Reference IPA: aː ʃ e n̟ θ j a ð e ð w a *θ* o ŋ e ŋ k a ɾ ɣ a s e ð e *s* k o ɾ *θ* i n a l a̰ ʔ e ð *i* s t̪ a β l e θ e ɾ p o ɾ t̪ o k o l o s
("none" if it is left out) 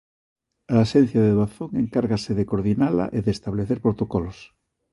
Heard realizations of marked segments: θ, none, ð, e

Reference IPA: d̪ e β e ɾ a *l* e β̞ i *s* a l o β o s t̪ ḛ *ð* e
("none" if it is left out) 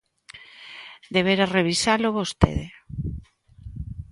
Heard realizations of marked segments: r, s, ð

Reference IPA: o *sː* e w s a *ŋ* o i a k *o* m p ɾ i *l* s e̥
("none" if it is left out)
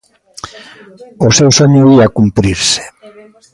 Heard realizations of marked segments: s, ɲ, u, ɾ

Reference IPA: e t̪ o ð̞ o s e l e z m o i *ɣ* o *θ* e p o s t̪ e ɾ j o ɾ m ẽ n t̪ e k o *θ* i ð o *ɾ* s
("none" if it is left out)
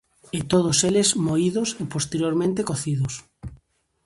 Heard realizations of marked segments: ð, s, θ, none

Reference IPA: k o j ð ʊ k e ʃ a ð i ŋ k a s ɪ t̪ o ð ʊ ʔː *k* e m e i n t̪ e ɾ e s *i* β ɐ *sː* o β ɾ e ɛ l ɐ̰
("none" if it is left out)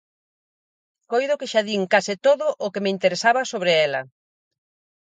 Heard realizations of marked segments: k, a, s

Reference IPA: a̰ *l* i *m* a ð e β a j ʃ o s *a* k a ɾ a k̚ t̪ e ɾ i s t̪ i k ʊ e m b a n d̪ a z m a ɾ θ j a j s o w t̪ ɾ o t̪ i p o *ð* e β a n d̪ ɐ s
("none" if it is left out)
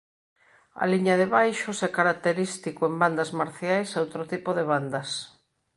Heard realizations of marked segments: l, ɲ, ɛ, ð

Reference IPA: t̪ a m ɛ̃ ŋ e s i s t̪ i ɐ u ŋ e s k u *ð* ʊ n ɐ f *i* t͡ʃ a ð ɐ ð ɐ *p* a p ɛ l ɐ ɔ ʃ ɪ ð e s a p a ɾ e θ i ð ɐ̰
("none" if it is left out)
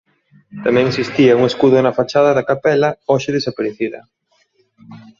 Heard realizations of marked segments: ð, a, k

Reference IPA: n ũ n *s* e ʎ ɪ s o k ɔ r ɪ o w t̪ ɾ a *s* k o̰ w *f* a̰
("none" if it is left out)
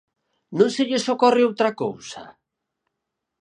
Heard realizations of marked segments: s, none, s

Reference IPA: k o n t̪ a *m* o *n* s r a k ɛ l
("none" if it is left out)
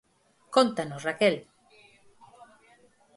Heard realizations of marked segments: n, none

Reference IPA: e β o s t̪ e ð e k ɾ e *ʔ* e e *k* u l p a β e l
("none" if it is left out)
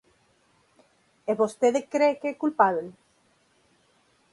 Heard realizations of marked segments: k, k

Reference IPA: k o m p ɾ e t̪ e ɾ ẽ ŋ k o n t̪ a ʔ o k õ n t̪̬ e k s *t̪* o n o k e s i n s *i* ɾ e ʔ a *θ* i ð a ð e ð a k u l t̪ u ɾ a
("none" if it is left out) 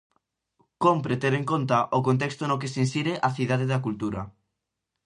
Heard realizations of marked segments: t̪, i, θ

